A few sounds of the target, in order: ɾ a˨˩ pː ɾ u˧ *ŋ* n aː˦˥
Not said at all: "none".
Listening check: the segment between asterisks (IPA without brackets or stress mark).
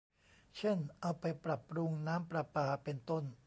ŋ